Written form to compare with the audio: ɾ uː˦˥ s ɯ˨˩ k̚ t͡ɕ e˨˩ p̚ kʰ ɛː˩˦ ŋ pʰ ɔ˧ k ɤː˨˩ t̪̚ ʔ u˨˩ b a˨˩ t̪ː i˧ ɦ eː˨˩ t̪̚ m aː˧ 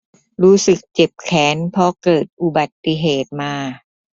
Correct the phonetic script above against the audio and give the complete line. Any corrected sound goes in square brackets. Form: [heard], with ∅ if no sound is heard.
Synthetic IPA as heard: ɾ uː˦˥ s ɯ˨˩ k̚ t͡ɕ e˨˩ p̚ kʰ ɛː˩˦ [n] pʰ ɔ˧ k ɤː˨˩ t̪̚ ʔ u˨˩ b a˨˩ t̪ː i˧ ɦ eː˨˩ t̪̚ m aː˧